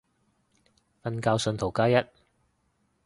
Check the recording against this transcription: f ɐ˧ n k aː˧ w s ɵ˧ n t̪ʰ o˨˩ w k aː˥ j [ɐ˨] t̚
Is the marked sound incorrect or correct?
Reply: incorrect